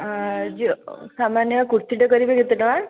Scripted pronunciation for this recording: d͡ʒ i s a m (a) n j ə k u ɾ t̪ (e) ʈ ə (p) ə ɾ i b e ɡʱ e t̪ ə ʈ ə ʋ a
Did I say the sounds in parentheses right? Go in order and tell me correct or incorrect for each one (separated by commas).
correct, incorrect, incorrect